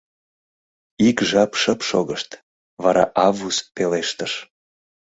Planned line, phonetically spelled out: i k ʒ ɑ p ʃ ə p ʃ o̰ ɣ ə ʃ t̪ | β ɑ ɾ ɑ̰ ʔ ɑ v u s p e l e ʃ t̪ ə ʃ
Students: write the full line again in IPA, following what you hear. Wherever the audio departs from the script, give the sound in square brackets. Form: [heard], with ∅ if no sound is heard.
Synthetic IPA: i k ʒ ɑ p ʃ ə p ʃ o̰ ɣ ə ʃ t̪ | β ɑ ɾ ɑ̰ ʔ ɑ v u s p e l e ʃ t̪ ə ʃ